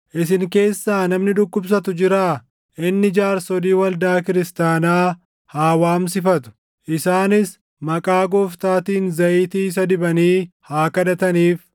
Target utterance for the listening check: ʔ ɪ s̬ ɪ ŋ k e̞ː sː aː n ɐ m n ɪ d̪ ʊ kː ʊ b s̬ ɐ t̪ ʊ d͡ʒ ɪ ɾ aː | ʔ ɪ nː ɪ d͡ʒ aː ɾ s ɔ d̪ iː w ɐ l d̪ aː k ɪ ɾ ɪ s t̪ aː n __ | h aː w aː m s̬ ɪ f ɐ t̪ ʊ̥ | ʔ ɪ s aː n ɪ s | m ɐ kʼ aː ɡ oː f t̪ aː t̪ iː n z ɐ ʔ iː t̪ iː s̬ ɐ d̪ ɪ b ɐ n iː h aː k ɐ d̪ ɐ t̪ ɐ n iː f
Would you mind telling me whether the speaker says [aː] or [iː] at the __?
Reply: aː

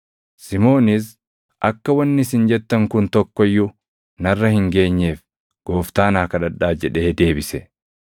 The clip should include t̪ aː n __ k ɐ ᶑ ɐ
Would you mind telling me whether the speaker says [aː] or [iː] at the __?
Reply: aː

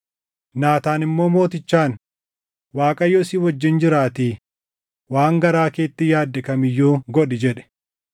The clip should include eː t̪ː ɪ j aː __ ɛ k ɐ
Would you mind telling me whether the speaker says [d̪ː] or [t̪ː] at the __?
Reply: d̪ː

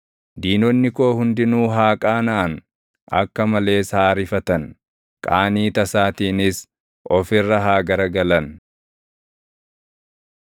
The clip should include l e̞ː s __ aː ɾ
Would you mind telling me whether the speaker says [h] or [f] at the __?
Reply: h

